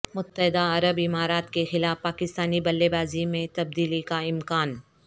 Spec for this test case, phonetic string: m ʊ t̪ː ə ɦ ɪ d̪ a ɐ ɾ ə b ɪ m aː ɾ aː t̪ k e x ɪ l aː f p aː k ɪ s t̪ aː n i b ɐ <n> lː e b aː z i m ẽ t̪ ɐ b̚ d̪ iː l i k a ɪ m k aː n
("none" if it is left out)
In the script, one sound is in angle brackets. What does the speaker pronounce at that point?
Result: none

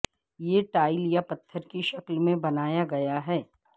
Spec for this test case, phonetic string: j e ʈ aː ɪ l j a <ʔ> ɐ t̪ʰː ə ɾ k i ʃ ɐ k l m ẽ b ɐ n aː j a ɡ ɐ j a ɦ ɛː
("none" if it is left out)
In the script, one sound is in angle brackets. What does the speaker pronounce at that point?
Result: p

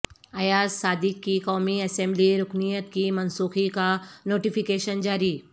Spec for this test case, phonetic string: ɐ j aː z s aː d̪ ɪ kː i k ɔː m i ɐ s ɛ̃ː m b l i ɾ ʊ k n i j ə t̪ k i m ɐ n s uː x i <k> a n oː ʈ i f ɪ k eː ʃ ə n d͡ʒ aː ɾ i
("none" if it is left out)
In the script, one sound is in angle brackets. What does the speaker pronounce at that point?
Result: k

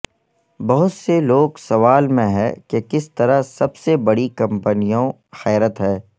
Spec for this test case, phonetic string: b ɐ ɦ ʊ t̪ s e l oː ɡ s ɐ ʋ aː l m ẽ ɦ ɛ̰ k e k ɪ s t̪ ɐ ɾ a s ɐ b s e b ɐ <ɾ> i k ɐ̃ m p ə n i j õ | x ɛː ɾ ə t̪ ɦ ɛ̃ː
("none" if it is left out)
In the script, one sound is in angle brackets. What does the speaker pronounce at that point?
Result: ɽ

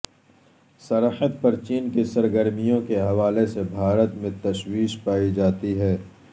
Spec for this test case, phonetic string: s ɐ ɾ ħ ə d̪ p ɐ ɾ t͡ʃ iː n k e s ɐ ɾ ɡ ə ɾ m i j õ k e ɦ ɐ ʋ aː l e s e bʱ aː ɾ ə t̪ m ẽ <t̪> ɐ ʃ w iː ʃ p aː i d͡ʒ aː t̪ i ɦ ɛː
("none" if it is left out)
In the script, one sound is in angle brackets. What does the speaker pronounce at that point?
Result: t̪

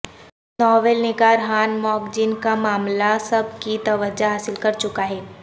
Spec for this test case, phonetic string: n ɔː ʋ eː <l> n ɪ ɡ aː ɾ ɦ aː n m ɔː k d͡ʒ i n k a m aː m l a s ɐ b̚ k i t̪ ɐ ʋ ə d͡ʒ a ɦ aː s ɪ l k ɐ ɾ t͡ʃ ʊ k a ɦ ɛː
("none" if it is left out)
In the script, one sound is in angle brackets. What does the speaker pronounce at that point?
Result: l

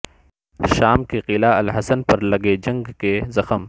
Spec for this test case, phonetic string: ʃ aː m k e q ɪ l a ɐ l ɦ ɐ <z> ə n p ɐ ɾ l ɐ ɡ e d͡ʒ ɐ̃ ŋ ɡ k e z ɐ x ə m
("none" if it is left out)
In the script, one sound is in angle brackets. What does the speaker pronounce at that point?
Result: s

